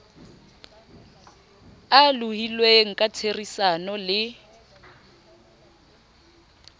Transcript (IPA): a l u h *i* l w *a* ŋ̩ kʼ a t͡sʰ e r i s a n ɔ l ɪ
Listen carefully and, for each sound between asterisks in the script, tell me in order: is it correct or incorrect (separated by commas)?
correct, incorrect